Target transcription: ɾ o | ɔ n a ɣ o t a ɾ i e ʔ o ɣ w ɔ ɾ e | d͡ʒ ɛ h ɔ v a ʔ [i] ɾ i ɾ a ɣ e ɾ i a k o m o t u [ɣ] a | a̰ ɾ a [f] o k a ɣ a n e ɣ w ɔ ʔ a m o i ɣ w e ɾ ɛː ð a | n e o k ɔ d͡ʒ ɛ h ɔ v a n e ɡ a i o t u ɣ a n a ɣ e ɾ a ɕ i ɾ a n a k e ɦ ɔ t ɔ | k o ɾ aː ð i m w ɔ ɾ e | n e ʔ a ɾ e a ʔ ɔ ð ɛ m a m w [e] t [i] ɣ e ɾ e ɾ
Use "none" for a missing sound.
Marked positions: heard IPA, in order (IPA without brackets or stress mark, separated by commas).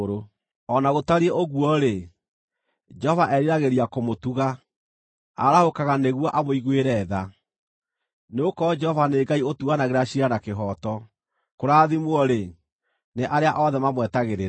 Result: ɛ, ɣ, h, ɛ, a